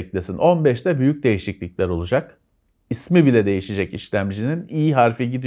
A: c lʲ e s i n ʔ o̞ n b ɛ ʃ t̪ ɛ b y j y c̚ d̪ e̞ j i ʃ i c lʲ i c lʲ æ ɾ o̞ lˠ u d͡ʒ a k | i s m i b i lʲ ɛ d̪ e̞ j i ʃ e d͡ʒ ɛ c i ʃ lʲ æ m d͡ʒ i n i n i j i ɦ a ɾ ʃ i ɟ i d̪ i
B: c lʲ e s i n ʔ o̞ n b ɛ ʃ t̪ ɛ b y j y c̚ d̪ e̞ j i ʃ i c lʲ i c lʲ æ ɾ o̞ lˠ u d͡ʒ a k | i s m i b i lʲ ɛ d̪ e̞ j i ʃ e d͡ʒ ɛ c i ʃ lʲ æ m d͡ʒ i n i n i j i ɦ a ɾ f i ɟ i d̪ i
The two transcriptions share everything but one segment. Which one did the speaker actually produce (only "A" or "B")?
B